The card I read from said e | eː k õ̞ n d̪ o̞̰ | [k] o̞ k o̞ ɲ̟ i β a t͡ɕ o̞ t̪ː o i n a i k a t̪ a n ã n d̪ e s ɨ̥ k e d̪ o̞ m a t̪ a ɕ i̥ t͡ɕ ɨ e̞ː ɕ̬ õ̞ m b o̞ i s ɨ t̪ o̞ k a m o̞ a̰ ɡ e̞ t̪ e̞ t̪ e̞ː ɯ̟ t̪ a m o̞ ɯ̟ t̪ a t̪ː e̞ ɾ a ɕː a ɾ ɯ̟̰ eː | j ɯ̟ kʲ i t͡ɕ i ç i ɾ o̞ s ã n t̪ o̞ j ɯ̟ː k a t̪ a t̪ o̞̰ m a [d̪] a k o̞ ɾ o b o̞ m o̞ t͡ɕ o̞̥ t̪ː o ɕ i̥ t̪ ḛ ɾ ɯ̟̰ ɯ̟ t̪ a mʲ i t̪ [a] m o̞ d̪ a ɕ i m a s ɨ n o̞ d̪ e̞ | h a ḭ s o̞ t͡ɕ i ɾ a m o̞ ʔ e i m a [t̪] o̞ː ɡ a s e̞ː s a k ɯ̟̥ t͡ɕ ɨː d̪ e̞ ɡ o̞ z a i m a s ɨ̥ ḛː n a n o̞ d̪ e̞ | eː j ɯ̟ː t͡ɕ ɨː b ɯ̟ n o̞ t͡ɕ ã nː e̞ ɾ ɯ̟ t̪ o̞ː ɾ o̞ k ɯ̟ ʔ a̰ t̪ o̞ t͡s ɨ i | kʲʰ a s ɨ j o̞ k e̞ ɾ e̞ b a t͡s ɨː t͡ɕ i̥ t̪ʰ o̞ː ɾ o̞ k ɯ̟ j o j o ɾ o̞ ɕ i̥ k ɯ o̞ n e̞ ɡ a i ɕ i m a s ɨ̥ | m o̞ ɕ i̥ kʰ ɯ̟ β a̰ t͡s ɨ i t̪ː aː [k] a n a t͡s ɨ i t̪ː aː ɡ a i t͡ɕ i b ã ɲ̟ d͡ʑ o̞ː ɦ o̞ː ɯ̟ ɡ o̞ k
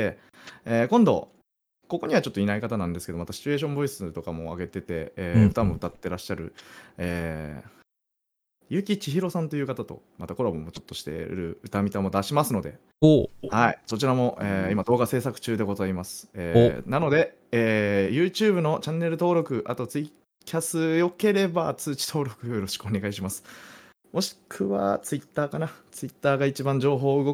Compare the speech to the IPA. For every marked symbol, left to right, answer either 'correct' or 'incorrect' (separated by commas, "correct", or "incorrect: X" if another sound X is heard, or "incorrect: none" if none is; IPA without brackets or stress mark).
correct, incorrect: t̪, correct, incorrect: d̪, correct